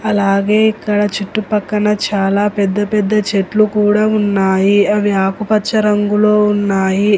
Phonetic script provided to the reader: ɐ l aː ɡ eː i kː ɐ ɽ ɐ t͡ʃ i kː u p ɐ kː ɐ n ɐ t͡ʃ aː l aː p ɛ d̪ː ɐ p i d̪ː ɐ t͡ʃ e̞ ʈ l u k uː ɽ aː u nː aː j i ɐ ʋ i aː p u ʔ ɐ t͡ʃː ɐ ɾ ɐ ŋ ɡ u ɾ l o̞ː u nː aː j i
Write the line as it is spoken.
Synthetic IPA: ɐ l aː ɡ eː i kː ɐ ɽ ɐ t͡ʃ i ʈː u p ɐ kː ɐ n ɐ t͡ʃ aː l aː p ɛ d̪ː ɐ p ɛ d̪ː ɐ t͡ʃ e̞ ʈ l u k uː ɽ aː u nː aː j i ɐ ʋ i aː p u p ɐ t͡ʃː ɐ ɾ ɐ ŋ ɡ u l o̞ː u nː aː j i